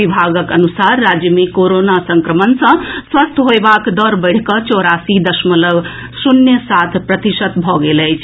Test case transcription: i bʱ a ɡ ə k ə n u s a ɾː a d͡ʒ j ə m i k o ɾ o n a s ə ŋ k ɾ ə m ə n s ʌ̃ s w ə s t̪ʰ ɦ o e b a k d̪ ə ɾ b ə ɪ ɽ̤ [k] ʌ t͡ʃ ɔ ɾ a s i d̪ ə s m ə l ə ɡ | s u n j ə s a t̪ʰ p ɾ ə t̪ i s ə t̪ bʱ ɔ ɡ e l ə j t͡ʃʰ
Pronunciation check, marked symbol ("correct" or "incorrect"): correct